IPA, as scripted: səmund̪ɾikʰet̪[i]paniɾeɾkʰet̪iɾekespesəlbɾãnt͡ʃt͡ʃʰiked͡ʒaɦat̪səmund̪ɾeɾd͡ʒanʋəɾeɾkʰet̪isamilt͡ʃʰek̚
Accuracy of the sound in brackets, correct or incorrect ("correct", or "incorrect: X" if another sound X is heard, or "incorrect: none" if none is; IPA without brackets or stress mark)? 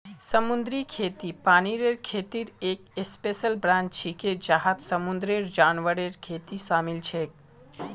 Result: correct